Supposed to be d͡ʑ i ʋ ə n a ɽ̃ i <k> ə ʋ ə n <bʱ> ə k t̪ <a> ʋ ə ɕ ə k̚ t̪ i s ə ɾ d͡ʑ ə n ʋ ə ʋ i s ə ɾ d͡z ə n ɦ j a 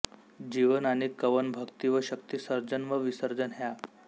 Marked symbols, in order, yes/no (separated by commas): yes, yes, no